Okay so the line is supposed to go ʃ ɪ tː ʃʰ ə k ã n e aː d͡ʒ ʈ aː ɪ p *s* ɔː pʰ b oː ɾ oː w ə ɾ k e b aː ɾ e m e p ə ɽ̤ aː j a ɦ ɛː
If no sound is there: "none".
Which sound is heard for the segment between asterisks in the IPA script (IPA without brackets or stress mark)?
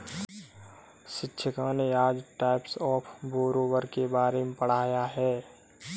s